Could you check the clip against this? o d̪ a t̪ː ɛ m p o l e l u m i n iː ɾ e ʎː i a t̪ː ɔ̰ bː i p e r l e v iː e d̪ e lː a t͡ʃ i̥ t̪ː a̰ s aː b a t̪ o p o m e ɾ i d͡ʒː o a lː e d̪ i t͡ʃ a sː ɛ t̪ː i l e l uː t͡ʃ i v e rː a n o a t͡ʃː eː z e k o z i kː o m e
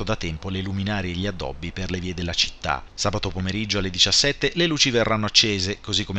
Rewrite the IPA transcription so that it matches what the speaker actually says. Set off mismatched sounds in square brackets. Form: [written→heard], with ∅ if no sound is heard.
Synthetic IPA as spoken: o d̪ a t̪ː ɛ m p o l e l u m i n [iː→aː] ɾ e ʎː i a [t̪ː→d̪ː] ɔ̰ bː i p e r l e v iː e d̪ e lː a t͡ʃ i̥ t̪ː a̰ s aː b a t̪ o p o m e ɾ i d͡ʒː o a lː e d̪ i t͡ʃ a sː ɛ t̪ː [i→e] l e l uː t͡ʃ i v e rː a [n→nː] o a t͡ʃː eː z e k o z i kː o m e

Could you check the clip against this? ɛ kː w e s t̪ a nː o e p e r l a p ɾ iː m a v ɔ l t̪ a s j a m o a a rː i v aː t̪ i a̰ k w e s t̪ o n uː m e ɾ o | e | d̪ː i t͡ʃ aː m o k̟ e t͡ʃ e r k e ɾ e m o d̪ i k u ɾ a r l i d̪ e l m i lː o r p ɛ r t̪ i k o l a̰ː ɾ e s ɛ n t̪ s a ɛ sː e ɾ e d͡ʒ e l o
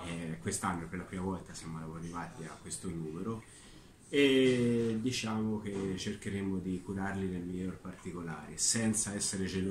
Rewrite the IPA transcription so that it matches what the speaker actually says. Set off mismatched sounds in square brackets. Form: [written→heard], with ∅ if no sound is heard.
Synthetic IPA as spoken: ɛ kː w e s t̪ a nː o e p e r l a p ɾ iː m a v ɔ l t̪ a s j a m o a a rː i v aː t̪ i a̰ k w e s t̪ o n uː m e ɾ o | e | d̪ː i t͡ʃ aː m o k̟ e t͡ʃ e r k e ɾ e m o d̪ i k u ɾ a r l i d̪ e l m i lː o r p [ɛ→a] r t̪ i k o l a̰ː ɾ e s ɛ n t̪ s a ɛ sː e ɾ e d͡ʒ e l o

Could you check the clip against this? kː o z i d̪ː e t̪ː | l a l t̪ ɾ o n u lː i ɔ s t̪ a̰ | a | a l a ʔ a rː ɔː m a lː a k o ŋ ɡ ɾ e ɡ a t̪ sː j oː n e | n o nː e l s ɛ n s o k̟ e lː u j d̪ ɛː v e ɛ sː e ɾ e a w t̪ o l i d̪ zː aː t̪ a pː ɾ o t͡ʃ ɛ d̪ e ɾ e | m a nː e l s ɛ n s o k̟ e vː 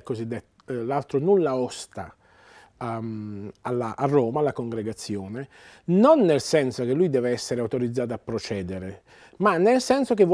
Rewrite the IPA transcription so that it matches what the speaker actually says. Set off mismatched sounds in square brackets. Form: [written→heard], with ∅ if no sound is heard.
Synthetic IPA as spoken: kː o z i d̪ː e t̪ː | l a l t̪ ɾ o n u lː [i→a] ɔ s t̪ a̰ | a | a l a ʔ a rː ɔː m a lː a k o ŋ ɡ ɾ e ɡ a t̪ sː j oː n e | n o nː e l s ɛ n s o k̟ e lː u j d̪ ɛː v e ɛ sː e ɾ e a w t̪ o [l→ɾ] i d̪ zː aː t̪ a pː ɾ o t͡ʃ [ɛ→ɛː] d̪ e ɾ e | m a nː e l s ɛ n s o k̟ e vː

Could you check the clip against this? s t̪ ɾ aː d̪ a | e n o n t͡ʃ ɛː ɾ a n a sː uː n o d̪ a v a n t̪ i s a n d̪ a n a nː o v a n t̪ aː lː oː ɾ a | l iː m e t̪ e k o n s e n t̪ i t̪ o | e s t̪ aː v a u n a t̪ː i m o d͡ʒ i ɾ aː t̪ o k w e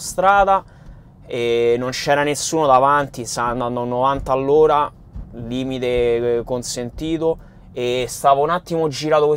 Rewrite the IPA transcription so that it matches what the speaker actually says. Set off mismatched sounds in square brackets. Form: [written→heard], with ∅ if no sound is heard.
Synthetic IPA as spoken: s t̪ ɾ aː d̪ a | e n o n t͡ʃ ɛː ɾ a n [a→e] sː uː n o d̪ a v a n t̪ i s a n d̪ a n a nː o v a n t̪ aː lː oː ɾ a | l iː m [e→i] t̪ e k o n s e n t̪ [i→iː] t̪ o | e s t̪ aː v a u n a t̪ː i m o d͡ʒ i ɾ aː t̪ o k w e

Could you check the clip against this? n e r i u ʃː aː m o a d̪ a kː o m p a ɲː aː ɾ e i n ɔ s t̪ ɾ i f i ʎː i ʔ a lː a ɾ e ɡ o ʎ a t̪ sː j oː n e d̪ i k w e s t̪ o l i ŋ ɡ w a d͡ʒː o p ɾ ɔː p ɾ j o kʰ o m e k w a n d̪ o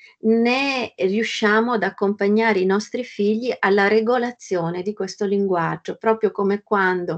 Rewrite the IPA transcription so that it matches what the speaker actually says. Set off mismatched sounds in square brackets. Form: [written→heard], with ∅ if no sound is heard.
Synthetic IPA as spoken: n e r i u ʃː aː m o a d̪ a kː o m p a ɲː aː ɾ e i n ɔ s t̪ ɾ i f i ʎː i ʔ a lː a ɾ e ɡ o [ʎ→l] a t̪ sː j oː n e d̪ i k w e s t̪ o l i ŋ ɡ w a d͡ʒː o p ɾ ɔː p ɾ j o [kʰ→k] o m e k w a n d̪ o

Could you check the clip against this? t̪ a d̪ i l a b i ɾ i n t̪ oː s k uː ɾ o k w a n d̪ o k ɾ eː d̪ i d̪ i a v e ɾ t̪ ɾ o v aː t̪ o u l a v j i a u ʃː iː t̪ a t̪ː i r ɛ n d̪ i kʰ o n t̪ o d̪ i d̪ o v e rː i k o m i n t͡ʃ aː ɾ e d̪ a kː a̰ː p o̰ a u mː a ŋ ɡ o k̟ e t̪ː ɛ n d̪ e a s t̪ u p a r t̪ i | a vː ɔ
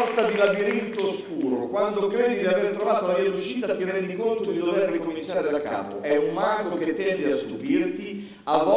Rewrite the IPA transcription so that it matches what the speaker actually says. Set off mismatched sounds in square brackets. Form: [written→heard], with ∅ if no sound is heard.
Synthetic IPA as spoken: t̪ a d̪ i l a b i ɾ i n t̪ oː s k uː ɾ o k w a n d̪ o k ɾ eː d̪ i d̪ i a v e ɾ t̪ ɾ o v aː t̪ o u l a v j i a u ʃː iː t̪ a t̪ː i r ɛ n d̪ i [kʰ→k] o n t̪ o d̪ i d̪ o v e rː i k o m i n t͡ʃ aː ɾ e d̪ a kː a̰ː p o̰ [a→ɛ] u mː a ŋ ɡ o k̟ e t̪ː ɛ n d̪ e a s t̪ u p [a→i] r t̪ i | a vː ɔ

